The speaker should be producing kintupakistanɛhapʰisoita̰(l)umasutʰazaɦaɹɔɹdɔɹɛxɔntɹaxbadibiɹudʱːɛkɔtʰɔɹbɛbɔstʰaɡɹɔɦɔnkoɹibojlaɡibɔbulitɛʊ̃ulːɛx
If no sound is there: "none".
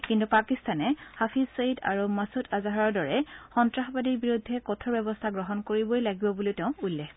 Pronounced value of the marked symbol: ɹ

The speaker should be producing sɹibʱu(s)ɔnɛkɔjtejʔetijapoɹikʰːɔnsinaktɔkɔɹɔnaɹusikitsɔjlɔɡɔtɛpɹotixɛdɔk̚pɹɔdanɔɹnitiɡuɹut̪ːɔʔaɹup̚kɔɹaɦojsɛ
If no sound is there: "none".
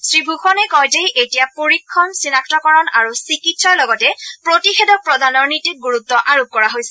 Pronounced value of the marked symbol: x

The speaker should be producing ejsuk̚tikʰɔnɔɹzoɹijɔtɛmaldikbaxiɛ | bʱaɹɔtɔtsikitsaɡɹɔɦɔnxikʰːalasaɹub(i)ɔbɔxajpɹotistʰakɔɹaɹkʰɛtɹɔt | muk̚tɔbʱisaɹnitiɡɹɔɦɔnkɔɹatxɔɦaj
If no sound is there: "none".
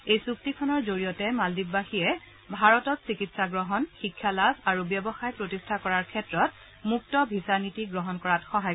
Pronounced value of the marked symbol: j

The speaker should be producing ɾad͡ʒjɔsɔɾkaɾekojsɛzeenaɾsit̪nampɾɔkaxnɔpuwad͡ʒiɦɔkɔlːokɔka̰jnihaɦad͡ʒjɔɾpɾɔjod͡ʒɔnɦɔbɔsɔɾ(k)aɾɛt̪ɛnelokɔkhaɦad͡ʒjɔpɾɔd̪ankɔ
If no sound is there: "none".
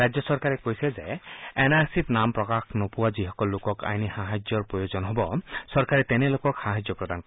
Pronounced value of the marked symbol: k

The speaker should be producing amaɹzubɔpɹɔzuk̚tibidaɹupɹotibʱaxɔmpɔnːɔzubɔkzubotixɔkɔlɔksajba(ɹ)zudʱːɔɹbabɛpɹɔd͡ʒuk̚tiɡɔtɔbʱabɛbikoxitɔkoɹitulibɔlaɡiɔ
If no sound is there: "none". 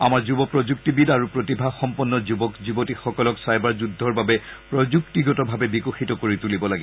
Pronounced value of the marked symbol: ɹ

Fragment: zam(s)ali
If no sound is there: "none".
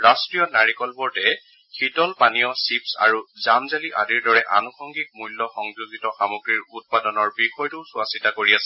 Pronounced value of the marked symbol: z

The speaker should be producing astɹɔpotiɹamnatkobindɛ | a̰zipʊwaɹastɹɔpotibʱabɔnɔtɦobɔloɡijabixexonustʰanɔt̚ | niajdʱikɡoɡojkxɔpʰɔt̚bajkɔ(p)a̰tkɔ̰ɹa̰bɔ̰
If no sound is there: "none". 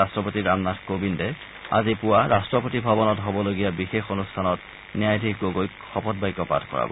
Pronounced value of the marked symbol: p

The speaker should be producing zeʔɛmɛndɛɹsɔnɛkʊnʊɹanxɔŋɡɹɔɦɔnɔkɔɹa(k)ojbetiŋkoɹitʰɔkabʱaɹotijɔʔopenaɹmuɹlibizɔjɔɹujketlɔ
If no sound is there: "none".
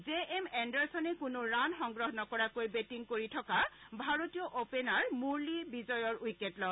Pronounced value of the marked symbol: k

